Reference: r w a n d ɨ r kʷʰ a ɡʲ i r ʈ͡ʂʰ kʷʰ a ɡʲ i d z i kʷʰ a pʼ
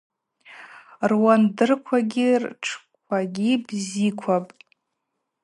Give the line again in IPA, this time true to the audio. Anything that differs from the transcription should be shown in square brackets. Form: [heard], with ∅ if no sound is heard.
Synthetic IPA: r w a n d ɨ r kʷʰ a ɡʲ i r ʈ͡ʂʰ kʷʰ a ɡʲ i [b] z i kʷʰ a pʼ